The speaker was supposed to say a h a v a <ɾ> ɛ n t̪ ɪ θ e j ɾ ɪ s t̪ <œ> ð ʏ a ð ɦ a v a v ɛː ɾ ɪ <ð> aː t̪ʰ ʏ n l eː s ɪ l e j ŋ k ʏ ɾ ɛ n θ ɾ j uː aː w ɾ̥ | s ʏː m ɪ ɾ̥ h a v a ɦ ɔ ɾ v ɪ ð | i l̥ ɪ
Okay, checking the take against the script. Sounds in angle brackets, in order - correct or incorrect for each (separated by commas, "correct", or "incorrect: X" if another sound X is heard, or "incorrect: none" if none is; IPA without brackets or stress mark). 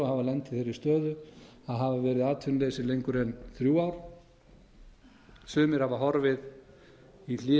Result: incorrect: l, incorrect: œː, correct